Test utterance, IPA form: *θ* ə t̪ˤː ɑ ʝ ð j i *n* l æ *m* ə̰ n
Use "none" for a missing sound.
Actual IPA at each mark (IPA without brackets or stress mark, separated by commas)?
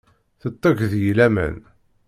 θ, none, m